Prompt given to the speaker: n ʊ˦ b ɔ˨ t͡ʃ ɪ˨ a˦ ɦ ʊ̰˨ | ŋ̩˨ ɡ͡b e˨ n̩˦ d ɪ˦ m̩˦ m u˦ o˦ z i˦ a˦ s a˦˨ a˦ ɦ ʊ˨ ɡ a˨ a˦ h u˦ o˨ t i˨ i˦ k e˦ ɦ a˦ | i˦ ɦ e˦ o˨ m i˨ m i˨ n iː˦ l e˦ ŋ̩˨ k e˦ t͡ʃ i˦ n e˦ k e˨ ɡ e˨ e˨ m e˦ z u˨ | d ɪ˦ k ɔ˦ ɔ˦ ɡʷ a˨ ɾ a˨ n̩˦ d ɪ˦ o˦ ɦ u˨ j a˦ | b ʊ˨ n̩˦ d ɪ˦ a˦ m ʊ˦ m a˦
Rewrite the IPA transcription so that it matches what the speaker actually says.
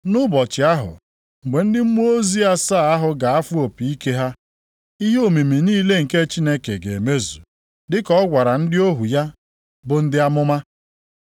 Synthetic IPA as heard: n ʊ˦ b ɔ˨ t͡ʃ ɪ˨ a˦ ɦ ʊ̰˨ | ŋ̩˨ ɡ͡b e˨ n̩˦ d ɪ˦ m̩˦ m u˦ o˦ z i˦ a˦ s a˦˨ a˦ ɦ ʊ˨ ɡ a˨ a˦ f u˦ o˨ p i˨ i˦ k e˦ ɦ a˦ | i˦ ɦ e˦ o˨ m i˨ m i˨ n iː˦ l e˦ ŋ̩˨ k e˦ t͡ʃ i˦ n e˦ k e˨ ɡ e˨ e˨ m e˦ z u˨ | d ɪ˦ k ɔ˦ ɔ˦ ɡʷ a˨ ɾ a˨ n̩˦ d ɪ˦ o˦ ɦ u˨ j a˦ | b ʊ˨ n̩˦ d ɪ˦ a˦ m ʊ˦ m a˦

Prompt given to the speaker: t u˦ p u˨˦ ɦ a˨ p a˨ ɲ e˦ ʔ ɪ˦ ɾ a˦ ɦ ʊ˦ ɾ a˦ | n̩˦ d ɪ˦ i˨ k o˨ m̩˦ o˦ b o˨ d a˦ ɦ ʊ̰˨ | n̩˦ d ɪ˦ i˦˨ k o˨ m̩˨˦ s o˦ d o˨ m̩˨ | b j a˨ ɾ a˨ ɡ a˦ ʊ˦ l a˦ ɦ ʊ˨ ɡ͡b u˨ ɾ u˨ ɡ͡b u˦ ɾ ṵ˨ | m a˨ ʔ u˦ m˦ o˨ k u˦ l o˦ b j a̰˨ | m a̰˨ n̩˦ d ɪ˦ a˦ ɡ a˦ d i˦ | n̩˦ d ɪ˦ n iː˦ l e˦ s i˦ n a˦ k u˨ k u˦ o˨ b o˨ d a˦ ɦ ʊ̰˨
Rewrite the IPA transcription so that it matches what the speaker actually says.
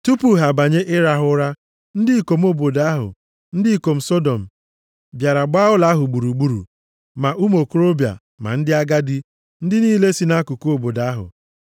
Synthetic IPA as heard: t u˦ p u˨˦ ɦ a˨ b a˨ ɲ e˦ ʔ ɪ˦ ɾ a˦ ɦ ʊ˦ ɾ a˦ | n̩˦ d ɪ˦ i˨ k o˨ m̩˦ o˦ b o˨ d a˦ ɦ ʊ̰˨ | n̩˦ d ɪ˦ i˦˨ k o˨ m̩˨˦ s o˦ d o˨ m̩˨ | b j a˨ ɾ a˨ ɡ͡b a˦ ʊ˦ l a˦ ɦ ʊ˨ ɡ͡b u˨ ɾ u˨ ɡ͡b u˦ ɾ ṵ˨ | m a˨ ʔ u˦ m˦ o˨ k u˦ ɾ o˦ b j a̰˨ | m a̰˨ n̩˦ d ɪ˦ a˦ ɡ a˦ d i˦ | n̩˦ d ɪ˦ n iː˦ l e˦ s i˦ n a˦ k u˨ k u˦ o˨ b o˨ d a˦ ɦ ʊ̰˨

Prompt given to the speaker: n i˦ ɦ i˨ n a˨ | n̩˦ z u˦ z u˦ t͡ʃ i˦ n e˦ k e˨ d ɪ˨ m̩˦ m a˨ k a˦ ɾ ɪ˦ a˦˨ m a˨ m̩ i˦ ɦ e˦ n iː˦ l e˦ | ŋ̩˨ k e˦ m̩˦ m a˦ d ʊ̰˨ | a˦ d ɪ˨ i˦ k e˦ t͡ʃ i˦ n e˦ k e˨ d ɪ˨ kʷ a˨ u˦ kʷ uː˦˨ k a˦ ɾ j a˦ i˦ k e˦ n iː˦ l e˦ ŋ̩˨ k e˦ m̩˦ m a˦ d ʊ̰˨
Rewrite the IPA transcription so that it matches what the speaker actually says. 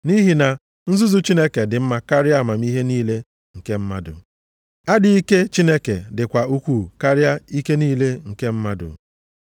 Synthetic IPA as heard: n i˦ ɦ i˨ n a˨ | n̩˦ z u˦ z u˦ t͡ʃ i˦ n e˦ k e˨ d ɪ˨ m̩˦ m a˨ k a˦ ɾ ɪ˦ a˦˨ m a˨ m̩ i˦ ɦ e˦ n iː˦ l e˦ | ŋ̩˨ k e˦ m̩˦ m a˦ d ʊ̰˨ | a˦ d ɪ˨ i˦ k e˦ t͡ʃ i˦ n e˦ k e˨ d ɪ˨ kʷ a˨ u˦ kʷ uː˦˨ k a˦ ɾ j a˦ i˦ k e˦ n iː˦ l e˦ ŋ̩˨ k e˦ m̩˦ m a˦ d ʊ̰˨

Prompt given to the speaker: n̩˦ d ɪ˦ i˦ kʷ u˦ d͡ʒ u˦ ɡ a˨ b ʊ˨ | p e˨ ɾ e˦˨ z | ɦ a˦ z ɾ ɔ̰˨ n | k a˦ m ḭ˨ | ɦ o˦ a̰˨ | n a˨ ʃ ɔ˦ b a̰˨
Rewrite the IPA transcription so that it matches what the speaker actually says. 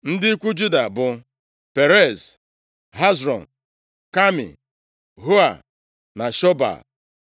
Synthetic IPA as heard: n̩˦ d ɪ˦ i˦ kʷ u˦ d͡ʒ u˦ d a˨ b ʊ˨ | p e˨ ɾ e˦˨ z | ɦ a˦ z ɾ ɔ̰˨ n | k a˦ m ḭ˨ | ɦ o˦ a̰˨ | n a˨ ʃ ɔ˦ b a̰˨

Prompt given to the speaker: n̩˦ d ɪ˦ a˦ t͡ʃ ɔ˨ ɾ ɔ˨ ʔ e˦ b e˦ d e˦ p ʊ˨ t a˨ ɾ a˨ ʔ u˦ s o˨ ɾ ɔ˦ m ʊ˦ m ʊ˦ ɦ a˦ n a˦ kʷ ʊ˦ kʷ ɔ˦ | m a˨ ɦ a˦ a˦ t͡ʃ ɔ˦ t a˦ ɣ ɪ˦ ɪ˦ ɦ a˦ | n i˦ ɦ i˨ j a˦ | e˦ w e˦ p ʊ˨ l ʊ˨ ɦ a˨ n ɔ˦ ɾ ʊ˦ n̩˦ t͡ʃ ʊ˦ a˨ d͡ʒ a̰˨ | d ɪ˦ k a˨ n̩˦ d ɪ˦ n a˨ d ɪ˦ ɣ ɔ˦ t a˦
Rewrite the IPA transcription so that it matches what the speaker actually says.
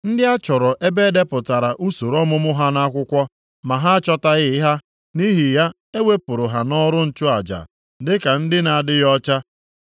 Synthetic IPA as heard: n̩˦ d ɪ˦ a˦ t͡ʃ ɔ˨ ɾ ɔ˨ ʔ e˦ b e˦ d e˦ p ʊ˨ t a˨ ɾ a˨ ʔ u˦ s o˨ ɾ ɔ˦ m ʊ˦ m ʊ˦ ɦ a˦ n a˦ kʷ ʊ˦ kʷ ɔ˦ | m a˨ ɦ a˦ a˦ t͡ʃ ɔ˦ t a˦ ɣ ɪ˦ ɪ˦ ɦ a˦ | n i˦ ɦ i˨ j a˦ | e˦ w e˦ p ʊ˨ ɾ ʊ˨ ɦ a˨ n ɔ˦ ɾ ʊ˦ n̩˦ t͡ʃ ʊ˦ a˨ d͡ʒ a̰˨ | d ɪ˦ k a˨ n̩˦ d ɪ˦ n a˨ d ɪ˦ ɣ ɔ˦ t͡ʃ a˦

